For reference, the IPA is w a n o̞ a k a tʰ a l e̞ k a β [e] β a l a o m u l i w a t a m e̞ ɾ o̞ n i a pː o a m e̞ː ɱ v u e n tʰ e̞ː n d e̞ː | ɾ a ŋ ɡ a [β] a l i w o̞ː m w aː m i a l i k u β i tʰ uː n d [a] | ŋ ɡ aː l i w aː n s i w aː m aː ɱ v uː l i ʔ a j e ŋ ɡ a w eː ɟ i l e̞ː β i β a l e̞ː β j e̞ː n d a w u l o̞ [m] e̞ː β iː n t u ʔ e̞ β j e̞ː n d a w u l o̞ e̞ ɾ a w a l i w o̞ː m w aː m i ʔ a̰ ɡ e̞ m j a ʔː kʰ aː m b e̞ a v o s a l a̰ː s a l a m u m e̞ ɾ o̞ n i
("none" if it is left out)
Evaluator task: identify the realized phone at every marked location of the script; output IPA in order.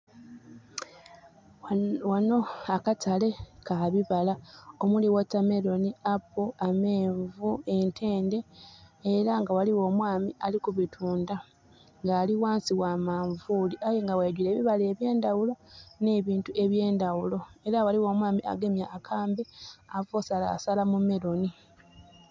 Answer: i, w, a, n

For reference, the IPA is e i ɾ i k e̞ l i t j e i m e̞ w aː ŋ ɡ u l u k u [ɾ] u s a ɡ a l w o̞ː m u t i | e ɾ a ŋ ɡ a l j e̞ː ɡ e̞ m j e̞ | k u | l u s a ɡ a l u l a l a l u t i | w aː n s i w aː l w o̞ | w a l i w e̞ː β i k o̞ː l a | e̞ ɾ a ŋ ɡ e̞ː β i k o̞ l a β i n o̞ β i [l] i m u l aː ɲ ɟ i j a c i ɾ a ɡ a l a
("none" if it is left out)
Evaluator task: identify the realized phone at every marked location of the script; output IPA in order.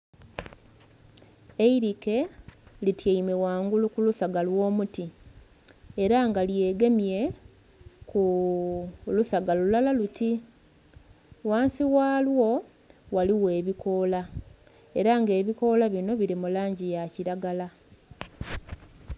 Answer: l, ɾ

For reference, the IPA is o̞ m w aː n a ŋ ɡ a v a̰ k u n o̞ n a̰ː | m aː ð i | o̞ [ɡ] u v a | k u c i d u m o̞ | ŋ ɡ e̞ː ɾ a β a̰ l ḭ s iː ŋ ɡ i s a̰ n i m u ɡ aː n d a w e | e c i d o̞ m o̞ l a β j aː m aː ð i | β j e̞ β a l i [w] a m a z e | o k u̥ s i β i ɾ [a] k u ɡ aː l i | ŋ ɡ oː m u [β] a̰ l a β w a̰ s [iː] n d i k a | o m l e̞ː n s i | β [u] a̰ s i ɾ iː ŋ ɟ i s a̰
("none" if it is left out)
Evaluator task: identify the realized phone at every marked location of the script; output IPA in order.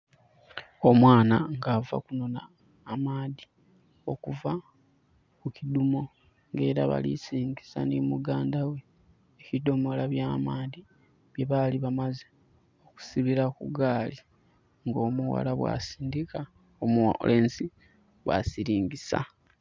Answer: k, β, a, w, iː, w

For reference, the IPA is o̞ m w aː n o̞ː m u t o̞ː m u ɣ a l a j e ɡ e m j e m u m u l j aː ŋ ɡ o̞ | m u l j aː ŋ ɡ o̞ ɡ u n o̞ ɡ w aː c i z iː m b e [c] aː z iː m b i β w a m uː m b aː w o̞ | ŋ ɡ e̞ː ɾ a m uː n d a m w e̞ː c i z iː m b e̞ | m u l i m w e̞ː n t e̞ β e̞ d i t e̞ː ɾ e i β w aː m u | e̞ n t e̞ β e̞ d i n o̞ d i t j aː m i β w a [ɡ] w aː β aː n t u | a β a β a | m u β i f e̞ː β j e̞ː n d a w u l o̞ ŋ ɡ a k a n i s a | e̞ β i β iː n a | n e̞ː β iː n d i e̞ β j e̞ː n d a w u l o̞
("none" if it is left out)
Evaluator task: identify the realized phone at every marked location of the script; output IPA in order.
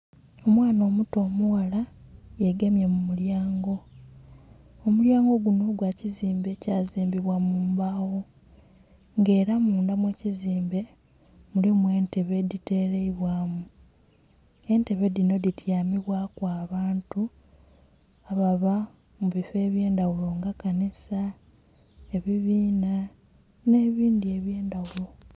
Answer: c, k

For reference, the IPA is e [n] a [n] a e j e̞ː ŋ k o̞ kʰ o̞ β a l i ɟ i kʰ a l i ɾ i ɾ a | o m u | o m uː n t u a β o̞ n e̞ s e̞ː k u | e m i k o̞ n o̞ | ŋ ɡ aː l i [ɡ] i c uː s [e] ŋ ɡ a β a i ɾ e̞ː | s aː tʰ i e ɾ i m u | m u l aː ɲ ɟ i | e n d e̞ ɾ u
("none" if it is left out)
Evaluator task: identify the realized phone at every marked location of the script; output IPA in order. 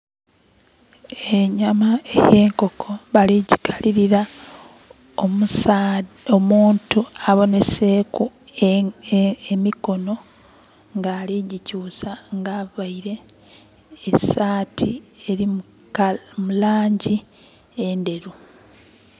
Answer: ɲ, m, ɟ, a

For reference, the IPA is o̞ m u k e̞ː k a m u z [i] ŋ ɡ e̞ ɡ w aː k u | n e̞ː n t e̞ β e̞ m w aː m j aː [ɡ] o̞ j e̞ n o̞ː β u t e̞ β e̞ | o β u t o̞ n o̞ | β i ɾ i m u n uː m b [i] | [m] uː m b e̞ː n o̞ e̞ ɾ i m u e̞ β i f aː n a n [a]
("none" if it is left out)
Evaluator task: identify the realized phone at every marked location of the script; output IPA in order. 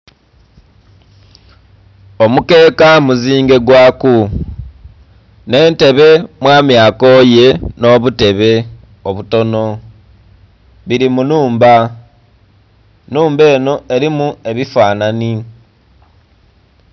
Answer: iː, k, a, n, i

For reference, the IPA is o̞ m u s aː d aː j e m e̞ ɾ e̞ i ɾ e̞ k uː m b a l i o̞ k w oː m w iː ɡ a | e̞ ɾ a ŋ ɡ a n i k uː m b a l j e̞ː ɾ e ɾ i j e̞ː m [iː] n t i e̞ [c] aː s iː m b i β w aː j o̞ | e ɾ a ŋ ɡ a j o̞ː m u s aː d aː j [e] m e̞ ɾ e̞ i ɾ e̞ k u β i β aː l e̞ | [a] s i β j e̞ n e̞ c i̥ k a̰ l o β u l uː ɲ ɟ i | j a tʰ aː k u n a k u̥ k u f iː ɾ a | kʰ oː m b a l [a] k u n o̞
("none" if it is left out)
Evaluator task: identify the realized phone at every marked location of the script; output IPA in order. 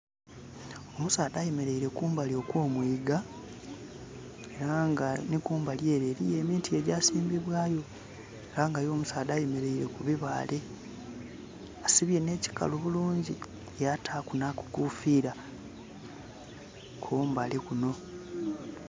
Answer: iː, ɟ, e, a, e

